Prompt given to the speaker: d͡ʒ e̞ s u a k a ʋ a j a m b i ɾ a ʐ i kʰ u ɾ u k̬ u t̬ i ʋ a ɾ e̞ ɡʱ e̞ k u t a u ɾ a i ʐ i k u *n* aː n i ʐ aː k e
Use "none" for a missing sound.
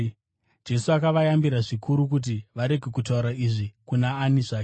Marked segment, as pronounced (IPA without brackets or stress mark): n